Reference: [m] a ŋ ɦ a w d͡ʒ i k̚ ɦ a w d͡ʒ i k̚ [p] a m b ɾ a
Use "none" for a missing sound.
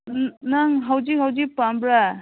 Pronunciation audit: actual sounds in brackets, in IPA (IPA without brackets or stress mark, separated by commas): n, p